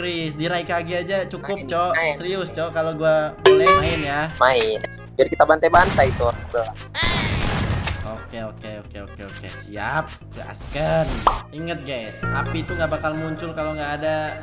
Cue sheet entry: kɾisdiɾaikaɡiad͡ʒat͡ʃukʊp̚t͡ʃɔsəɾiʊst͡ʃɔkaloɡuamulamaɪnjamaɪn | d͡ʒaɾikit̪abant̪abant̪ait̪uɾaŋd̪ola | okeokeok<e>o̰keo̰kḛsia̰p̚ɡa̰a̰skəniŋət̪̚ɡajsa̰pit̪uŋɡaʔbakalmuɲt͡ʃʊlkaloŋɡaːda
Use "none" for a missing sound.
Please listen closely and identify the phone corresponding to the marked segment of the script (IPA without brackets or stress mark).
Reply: e